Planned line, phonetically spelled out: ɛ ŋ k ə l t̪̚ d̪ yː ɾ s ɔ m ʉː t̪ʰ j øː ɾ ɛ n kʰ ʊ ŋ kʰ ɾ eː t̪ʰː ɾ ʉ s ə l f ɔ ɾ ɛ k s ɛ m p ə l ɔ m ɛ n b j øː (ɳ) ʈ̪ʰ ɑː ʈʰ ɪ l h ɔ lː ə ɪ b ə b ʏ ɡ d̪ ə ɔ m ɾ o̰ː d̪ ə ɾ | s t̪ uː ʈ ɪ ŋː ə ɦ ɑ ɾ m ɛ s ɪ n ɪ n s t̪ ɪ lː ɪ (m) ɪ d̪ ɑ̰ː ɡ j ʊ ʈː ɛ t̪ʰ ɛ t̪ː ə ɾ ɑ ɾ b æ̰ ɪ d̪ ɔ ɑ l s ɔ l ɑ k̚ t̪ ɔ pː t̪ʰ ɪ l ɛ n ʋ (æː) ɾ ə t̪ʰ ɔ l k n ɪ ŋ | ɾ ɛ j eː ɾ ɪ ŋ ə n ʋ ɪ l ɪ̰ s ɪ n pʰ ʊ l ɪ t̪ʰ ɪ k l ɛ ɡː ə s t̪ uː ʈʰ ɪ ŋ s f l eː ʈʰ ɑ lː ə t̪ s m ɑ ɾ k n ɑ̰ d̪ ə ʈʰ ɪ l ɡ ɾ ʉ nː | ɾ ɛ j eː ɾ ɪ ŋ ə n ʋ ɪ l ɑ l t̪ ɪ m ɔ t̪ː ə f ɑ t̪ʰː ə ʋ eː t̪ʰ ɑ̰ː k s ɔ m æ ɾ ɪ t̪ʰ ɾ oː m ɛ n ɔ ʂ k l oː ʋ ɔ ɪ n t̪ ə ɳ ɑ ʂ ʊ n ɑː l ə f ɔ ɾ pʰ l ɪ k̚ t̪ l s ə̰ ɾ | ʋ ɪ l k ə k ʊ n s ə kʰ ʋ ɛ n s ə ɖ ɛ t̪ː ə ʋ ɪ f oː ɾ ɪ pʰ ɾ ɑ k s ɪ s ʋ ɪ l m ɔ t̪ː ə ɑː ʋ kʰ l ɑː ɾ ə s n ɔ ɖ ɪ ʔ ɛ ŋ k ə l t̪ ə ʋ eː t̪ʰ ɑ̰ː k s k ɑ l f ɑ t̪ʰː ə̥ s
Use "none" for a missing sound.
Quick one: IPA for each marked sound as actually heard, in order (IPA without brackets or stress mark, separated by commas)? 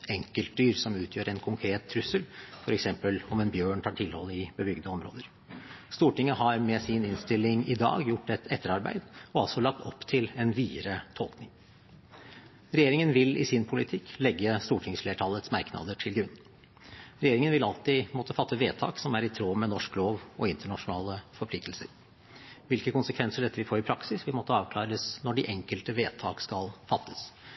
ɳ, ŋ, iː